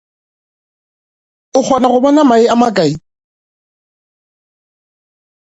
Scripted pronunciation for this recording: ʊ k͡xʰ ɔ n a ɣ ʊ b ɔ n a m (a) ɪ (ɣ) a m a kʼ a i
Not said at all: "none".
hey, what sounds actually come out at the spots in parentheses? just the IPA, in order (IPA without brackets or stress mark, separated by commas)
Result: a, none